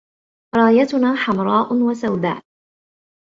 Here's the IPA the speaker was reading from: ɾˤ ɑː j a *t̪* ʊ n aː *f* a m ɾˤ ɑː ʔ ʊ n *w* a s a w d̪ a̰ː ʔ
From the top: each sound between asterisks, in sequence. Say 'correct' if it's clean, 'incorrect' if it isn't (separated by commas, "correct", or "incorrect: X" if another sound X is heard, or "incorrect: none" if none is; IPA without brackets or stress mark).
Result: correct, incorrect: ħ, correct